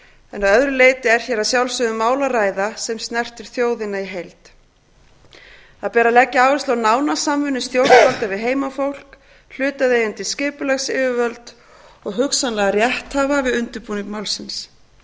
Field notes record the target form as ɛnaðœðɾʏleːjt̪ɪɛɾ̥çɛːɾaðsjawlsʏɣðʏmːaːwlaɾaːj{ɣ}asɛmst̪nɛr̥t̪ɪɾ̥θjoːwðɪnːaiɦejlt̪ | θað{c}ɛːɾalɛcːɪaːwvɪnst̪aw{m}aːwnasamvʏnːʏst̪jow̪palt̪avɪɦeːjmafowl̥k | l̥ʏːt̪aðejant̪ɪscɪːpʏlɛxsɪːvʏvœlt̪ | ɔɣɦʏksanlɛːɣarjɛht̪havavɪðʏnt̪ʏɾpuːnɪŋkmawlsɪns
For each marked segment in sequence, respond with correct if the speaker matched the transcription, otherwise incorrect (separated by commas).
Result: incorrect, incorrect, incorrect